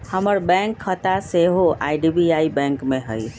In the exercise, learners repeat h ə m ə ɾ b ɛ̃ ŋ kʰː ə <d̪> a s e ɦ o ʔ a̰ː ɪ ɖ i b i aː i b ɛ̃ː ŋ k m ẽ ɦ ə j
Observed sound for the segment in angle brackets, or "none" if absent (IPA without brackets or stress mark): t̪